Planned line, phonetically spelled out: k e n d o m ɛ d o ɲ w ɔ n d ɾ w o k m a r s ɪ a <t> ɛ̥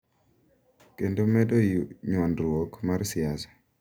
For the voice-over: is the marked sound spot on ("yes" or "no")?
no